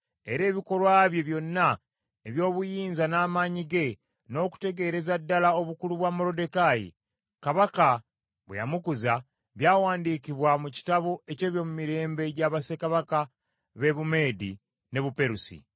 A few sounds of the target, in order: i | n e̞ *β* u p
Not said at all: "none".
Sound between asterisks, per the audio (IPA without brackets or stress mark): β